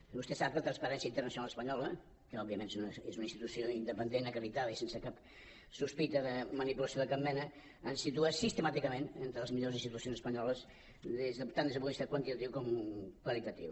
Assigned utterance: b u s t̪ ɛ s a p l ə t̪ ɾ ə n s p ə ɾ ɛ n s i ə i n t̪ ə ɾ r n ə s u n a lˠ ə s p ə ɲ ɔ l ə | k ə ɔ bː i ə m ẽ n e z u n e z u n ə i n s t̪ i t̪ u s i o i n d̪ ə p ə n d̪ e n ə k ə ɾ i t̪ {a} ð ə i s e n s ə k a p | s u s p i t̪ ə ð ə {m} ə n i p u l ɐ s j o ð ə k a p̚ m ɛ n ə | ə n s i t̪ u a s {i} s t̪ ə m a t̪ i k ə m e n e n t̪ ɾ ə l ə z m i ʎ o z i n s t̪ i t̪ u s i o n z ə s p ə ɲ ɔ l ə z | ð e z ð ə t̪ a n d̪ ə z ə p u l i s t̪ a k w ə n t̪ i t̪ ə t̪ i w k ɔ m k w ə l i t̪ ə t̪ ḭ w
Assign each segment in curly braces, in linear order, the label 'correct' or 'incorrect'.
correct, correct, correct

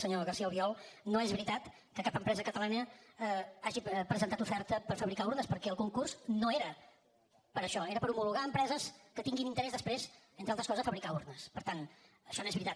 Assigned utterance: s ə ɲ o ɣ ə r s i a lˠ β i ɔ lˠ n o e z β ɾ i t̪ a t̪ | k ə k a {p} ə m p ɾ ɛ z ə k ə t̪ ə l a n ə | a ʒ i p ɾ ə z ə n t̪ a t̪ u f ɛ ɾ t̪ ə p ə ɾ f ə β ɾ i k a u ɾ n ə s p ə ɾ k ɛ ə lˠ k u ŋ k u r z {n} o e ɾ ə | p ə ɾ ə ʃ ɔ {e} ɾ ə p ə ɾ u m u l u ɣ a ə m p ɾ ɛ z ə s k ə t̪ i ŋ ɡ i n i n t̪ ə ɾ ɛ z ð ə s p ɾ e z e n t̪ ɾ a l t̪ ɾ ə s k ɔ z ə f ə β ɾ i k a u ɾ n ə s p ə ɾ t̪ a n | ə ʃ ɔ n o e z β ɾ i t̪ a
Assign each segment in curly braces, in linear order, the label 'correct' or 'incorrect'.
correct, correct, correct

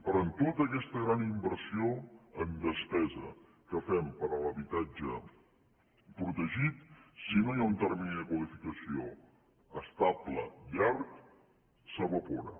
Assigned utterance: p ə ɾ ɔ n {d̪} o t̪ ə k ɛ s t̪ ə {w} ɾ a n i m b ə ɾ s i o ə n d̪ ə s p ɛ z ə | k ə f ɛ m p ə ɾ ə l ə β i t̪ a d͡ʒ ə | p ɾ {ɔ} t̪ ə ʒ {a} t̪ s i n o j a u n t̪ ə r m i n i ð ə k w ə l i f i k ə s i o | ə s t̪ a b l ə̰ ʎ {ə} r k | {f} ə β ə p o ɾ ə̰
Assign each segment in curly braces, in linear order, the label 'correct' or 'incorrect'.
incorrect: t̪, incorrect: ɣ, incorrect: u, incorrect: i, incorrect: a, incorrect: s

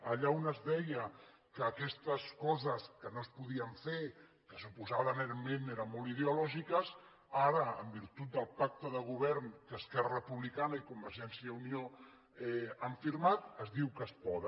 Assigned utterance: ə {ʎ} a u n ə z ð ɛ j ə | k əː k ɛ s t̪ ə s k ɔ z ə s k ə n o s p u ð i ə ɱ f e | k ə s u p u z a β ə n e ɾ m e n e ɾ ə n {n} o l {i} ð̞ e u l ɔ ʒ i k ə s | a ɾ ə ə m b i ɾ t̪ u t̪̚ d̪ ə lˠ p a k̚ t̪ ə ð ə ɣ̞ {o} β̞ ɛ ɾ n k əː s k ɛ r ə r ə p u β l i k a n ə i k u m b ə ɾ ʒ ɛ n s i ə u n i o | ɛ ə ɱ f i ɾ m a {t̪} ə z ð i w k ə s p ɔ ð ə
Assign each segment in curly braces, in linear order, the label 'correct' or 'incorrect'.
correct, incorrect: m, correct, incorrect: u, correct

